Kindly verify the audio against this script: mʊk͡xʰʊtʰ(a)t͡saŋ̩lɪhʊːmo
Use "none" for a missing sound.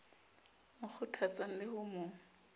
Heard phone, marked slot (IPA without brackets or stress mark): a